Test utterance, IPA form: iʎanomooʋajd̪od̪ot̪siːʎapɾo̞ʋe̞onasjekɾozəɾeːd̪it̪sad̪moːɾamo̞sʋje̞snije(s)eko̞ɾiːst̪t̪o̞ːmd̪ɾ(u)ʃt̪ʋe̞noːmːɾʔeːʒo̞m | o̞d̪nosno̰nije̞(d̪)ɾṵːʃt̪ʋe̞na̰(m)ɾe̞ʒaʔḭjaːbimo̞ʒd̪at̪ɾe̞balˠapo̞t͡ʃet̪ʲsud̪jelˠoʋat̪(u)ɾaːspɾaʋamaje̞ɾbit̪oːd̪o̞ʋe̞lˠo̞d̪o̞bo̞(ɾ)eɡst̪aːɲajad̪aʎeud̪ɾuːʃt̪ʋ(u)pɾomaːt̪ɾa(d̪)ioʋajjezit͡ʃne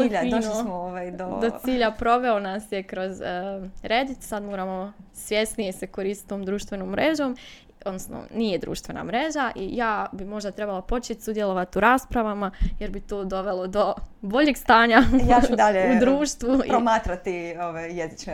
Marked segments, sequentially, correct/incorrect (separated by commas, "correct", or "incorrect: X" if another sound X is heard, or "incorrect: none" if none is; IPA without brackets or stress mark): correct, incorrect: uː, correct, correct, correct, incorrect: ʎ, correct, incorrect: t̪